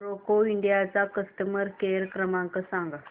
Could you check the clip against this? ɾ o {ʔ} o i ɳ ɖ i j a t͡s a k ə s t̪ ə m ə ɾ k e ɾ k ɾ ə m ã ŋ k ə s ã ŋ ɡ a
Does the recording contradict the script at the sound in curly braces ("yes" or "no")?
yes